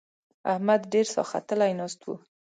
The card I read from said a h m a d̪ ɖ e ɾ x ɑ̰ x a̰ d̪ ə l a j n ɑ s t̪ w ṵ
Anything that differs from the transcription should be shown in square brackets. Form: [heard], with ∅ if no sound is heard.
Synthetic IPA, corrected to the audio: a h m a d̪ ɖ e ɾ [s] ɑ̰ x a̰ [t̪] ə l a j n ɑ s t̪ w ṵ